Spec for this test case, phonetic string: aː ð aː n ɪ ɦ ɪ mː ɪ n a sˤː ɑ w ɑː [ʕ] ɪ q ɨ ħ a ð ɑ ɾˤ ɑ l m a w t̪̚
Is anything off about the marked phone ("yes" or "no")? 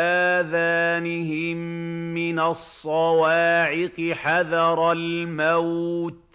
no